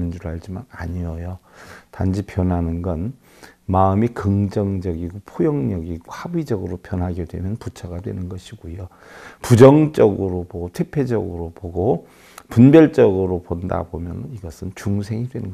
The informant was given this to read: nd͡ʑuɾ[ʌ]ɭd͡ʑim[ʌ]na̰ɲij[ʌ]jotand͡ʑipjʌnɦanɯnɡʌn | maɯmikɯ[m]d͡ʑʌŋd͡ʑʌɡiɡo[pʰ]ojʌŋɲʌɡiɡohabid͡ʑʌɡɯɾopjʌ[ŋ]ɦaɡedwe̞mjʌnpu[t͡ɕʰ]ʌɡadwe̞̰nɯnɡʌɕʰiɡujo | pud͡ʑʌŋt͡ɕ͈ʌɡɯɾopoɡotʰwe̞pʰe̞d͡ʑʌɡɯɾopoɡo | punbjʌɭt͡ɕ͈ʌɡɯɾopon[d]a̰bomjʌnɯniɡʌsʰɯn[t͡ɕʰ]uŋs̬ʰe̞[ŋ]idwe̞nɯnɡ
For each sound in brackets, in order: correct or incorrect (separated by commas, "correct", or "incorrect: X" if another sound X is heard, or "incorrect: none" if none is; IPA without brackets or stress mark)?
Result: incorrect: a, incorrect: a, correct, incorrect: ŋ, correct, incorrect: n, correct, correct, incorrect: t͡ɕ, correct